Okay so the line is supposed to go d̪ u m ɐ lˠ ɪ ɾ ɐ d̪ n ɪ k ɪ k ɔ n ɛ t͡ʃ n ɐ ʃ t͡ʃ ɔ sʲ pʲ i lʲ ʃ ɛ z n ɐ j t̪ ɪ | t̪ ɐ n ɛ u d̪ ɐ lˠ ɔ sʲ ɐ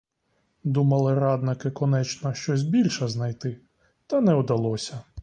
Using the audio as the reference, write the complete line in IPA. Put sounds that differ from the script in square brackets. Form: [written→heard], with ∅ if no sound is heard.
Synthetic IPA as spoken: d̪ u m ɐ lˠ ɪ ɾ [ɐ→ɑ] d̪ n ɪ k ɪ k ɔ n ɛ t͡ʃ n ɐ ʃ t͡ʃ ɔ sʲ [pʲ→bʲ] i lʲ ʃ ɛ z n ɐ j t̪ ɪ | t̪ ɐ n ɛ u d̪ ɐ lˠ ɔ sʲ ɐ